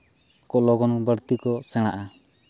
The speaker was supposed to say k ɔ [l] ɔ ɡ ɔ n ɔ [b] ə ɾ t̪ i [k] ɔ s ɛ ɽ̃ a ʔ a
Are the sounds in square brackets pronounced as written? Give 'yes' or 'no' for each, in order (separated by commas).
yes, yes, yes